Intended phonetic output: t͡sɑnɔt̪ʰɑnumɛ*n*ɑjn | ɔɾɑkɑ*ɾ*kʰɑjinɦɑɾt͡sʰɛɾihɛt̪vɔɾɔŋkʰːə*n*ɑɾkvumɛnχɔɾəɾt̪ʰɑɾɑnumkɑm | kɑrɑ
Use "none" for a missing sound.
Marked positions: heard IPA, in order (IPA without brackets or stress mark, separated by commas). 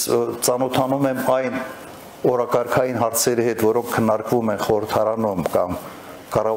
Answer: m, ɾ, nː